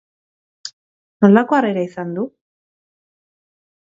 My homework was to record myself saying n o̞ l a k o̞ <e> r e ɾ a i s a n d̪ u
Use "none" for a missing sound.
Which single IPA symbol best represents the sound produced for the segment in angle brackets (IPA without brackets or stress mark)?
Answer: a